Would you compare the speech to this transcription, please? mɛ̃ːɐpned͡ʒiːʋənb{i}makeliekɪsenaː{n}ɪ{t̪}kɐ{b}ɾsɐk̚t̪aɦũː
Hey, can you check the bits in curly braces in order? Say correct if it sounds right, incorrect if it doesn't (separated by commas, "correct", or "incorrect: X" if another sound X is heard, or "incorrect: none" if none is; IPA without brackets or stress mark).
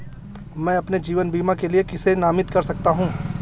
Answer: incorrect: iː, incorrect: m, correct, incorrect: none